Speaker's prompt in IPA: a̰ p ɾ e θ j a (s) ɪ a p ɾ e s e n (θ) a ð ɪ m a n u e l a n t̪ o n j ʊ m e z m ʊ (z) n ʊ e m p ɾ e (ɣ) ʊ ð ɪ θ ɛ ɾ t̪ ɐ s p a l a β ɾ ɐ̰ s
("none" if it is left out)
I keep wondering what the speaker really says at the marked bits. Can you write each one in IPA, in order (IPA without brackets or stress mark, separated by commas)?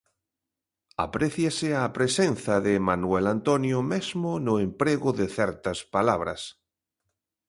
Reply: s, θ, none, ɣ